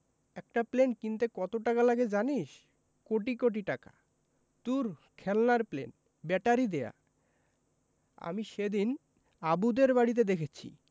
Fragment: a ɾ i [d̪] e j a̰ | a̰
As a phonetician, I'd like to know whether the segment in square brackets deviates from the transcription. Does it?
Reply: no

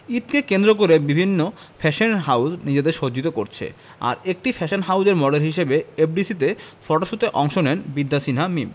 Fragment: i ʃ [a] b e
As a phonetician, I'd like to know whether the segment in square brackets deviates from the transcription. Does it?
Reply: yes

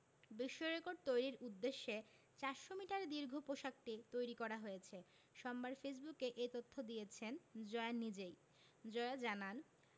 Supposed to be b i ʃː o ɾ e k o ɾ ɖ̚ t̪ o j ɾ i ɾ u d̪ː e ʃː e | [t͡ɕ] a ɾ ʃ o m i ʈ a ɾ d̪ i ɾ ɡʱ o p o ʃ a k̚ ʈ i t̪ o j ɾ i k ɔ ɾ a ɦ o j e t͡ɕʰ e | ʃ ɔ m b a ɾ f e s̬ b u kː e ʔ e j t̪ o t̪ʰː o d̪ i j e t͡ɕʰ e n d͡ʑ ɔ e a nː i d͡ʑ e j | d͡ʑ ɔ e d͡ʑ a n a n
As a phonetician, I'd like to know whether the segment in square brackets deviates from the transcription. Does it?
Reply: no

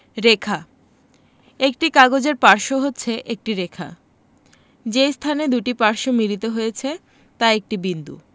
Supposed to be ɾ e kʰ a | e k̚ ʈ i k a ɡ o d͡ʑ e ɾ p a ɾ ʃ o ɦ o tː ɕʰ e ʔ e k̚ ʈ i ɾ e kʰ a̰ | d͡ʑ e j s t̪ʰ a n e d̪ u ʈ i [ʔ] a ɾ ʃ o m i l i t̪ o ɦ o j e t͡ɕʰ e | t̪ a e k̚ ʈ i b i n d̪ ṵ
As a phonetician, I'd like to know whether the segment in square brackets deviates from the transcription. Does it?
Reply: yes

